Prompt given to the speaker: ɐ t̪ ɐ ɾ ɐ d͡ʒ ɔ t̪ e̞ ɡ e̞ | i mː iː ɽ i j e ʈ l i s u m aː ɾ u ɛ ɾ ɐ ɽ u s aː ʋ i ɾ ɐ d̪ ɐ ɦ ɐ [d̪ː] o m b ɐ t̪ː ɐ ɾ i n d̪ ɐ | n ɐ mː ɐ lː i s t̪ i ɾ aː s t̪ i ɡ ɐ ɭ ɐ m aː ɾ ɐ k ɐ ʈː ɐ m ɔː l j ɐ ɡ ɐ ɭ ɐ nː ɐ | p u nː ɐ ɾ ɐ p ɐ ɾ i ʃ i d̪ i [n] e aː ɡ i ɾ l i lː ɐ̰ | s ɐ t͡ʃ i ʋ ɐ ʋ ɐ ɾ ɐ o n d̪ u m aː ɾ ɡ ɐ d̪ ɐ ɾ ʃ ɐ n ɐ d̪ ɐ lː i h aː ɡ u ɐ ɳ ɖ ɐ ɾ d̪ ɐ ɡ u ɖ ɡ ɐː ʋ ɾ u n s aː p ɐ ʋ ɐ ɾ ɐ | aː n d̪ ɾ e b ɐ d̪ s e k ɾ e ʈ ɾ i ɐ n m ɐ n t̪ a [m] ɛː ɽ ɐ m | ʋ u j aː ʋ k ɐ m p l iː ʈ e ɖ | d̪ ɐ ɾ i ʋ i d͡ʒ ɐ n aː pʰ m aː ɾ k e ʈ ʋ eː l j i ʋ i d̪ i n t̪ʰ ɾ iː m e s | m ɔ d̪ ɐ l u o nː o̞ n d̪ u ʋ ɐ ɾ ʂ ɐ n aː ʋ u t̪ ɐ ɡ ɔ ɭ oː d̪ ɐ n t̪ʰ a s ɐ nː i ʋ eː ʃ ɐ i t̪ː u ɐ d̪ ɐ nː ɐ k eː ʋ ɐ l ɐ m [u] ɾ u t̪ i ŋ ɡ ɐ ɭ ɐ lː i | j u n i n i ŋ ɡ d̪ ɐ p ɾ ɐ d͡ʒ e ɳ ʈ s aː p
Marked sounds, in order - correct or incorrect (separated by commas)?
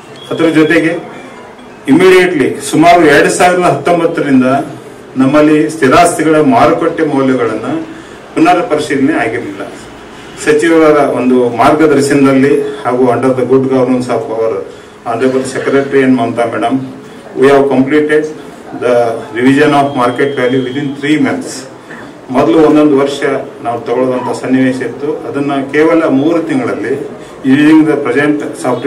incorrect, correct, correct, incorrect